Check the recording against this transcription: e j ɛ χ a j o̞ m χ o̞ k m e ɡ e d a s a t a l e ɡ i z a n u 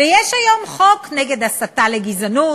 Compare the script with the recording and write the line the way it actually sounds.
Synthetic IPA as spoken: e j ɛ ʃ a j o̞ m χ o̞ k n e ɡ e d a s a t a l e ɡ i z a n u